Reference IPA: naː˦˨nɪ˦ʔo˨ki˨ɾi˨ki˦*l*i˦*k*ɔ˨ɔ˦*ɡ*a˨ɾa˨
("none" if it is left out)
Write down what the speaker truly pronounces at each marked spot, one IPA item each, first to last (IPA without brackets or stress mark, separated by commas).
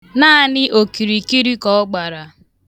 ɾ, k, ɡ͡b